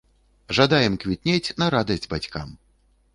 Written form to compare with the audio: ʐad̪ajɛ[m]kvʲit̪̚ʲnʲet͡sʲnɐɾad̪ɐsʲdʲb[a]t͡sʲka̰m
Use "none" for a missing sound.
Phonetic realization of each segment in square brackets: m, a

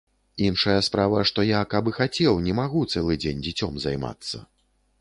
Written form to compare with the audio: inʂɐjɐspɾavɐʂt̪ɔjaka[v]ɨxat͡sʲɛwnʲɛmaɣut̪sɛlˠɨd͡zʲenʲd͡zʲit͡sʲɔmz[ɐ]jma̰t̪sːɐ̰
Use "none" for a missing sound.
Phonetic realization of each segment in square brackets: b, a

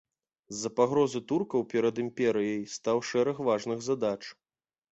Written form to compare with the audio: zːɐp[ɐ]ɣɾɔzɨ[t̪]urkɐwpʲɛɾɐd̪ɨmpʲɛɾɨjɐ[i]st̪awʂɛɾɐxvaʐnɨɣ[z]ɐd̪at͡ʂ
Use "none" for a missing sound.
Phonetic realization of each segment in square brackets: a, t̪, j, z

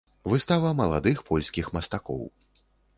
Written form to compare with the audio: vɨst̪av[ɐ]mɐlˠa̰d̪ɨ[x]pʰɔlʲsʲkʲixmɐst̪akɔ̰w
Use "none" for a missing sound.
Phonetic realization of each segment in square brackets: ɐ, x

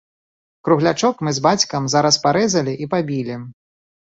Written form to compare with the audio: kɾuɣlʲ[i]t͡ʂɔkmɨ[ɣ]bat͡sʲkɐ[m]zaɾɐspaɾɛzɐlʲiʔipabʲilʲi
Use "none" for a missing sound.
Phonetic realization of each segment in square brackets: a, z, m

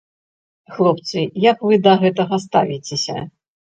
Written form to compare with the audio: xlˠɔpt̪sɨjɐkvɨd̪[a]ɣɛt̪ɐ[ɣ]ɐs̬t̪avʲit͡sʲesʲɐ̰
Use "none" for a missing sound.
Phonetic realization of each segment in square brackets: ɐ, ɣ

